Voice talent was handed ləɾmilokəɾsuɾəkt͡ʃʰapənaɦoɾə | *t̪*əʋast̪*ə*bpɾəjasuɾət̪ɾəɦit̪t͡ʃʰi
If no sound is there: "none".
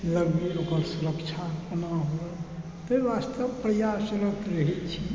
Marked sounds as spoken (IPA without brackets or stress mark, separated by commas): t̪, ə